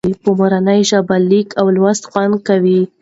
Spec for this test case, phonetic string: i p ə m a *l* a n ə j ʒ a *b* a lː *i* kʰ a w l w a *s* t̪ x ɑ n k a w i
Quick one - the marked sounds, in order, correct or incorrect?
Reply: incorrect, correct, correct, correct

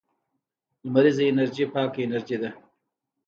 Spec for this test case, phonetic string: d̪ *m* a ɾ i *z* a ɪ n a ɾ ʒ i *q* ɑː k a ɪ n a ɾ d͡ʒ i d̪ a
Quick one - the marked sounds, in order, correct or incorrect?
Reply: correct, correct, incorrect

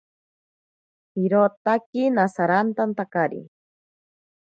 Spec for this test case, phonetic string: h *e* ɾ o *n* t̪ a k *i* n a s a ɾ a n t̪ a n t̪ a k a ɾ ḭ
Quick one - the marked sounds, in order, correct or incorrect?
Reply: incorrect, incorrect, correct

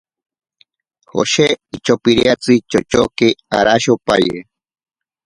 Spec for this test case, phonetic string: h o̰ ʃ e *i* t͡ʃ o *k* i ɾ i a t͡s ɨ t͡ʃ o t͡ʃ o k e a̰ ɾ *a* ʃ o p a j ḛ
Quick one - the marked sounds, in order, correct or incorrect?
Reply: correct, incorrect, correct

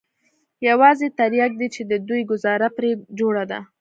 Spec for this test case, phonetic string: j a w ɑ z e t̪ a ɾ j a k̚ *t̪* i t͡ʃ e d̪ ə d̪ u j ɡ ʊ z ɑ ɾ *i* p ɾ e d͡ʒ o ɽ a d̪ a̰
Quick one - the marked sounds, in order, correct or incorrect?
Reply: incorrect, incorrect

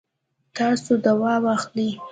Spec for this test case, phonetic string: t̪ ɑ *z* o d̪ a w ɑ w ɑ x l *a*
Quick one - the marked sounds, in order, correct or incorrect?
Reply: incorrect, incorrect

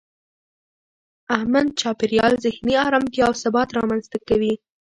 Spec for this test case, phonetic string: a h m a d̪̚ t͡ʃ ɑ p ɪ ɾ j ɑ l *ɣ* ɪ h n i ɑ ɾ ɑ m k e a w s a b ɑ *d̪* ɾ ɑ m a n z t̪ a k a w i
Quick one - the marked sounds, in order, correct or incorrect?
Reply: incorrect, incorrect

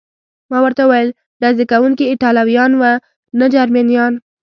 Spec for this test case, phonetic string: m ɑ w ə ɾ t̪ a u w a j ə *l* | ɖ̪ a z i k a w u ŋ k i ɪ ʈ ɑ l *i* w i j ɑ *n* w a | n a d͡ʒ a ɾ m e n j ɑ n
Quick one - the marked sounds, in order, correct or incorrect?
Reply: correct, incorrect, correct

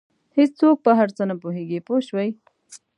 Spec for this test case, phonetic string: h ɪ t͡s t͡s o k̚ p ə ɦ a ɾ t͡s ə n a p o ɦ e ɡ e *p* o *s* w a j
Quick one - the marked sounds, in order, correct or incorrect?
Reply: correct, incorrect

